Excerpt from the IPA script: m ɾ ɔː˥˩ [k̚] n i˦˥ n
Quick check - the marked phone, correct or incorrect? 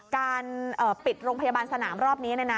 incorrect: p̚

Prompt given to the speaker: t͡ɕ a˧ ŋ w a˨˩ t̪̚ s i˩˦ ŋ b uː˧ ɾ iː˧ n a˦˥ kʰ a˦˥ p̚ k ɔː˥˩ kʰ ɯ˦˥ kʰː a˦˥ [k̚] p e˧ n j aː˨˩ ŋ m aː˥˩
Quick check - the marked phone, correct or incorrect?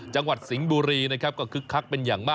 correct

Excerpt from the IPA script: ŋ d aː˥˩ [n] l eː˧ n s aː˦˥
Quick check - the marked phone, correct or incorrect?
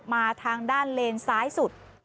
correct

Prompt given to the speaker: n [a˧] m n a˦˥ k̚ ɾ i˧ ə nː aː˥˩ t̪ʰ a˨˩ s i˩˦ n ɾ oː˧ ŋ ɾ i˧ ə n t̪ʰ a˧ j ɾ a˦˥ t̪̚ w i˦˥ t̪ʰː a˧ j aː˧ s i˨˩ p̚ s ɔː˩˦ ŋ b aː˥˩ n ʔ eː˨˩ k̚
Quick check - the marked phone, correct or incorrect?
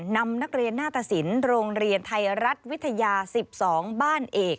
correct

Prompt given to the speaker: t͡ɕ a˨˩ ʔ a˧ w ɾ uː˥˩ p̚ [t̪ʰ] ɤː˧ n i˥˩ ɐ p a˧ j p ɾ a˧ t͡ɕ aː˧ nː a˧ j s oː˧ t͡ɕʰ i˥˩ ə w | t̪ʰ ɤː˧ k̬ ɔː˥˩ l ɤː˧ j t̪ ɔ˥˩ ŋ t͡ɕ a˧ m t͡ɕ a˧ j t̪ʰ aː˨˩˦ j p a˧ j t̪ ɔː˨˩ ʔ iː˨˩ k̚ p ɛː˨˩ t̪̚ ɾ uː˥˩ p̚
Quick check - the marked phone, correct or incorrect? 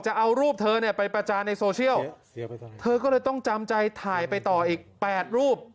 correct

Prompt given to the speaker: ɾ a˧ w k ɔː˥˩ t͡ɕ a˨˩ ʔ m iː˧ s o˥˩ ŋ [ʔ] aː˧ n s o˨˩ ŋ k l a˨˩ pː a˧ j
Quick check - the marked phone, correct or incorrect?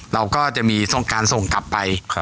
incorrect: k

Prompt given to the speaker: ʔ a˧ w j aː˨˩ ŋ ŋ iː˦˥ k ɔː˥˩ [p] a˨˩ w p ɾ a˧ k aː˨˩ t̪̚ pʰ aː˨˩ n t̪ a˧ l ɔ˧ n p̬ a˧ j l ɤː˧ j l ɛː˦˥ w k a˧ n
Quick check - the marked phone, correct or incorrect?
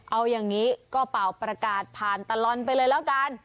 correct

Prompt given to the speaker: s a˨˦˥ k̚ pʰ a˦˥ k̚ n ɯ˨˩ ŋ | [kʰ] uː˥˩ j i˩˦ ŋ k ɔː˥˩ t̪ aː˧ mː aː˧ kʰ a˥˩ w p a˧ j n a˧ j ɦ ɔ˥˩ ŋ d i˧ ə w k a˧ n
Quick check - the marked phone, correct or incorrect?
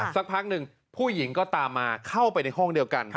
incorrect: pʰ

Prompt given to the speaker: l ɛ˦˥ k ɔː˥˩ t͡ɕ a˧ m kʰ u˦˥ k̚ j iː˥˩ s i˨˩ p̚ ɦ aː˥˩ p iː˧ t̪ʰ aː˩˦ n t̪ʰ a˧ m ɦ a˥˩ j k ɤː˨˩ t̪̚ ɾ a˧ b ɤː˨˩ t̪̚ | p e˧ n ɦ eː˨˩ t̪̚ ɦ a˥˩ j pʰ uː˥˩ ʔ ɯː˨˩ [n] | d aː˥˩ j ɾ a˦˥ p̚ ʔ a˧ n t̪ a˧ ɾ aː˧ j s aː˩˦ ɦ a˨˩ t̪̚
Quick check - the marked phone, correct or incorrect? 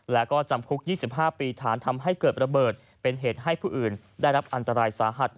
correct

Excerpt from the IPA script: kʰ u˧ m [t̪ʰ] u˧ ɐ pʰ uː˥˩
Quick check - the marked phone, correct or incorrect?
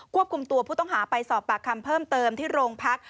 incorrect: t̪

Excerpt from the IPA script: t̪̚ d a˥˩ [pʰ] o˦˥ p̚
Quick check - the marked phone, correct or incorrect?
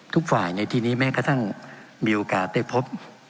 correct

